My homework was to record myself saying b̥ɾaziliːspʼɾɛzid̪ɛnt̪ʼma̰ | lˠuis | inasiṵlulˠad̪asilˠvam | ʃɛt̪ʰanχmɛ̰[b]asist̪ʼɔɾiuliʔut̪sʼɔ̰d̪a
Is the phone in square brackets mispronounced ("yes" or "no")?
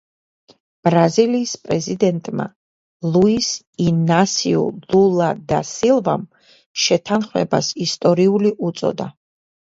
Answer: no